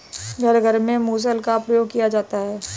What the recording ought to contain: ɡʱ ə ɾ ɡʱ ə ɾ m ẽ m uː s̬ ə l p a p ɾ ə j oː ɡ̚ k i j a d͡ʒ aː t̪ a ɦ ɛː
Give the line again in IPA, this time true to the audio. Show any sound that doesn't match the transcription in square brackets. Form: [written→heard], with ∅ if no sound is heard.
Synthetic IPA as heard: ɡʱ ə ɾ ɡʱ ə ɾ m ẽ m uː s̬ ə l [p→k] a p ɾ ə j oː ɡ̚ k i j a d͡ʒ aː t̪ a ɦ ɛː